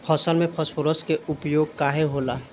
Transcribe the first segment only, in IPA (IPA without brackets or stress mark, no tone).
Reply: pʰ